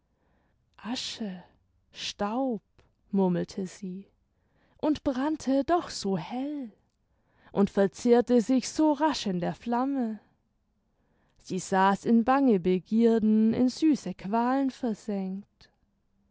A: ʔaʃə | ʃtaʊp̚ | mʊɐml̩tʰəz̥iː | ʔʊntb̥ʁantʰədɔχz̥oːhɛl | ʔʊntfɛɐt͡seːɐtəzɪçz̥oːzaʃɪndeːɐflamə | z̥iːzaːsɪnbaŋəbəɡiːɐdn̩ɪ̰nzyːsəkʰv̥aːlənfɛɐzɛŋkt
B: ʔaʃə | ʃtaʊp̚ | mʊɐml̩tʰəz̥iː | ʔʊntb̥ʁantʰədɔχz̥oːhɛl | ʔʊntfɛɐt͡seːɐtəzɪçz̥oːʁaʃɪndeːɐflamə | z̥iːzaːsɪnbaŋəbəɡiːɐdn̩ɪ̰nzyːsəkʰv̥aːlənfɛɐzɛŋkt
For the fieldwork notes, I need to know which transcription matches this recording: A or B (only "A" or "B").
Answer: B